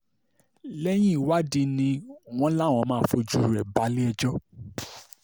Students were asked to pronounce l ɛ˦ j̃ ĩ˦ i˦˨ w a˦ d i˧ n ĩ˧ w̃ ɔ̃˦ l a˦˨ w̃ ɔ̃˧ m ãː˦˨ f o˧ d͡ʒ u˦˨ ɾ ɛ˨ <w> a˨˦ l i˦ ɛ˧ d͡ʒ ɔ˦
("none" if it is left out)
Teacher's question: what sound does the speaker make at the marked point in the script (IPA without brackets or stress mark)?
b